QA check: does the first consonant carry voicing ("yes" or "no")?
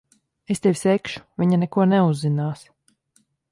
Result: no